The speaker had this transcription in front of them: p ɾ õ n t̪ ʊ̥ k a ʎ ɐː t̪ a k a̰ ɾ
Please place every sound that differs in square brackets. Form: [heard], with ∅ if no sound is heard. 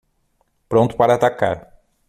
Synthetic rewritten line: p ɾ õ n t̪ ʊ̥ [p] a [ɾ] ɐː t̪ a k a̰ ɾ

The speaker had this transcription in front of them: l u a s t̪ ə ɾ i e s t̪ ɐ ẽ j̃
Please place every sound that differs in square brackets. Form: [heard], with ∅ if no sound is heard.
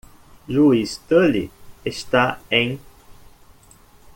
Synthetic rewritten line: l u [i] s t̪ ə [l] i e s t̪ [a] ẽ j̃

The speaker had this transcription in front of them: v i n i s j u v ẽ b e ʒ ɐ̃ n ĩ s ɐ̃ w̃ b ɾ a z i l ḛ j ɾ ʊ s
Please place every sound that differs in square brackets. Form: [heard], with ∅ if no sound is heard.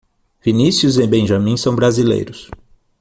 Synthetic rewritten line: v i n i s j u [z] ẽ b [ẽ] ʒ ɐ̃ [m] ĩ s ɐ̃ w̃ b ɾ a z i l ḛ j ɾ ʊ s

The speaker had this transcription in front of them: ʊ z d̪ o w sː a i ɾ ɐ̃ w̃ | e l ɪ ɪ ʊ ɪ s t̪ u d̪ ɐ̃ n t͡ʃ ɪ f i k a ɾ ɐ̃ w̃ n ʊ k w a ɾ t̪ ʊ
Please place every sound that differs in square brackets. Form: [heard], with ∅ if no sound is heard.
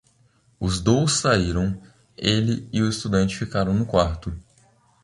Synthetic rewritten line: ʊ z d̪ o w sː a i ɾ ɐ̃ w̃ | e l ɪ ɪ ʊ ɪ s t̪ u d̪ ɐ̃ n t͡ʃ ɪ f i k a ɾ ɐ̃ w̃ n ʊ k w a ɾ t̪ ʊ

